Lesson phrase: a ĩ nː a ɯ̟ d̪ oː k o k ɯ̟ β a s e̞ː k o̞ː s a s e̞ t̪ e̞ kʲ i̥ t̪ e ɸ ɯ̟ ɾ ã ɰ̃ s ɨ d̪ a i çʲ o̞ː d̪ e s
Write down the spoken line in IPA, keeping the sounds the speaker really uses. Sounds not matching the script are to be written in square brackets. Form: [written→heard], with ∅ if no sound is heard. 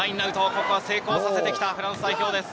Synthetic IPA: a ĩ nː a ɯ̟ [d̪→t̪] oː k o k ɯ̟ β a s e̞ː k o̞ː s a s e̞ t̪ e̞ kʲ i̥ t̪ [e→a] ɸ ɯ̟ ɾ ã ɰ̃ s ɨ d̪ a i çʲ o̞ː d̪ e s